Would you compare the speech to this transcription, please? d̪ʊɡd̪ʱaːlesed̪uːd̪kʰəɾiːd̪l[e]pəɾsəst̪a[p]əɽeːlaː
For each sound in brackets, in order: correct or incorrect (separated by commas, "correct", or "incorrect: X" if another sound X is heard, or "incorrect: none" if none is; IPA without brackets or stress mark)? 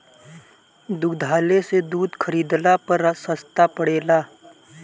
incorrect: a, correct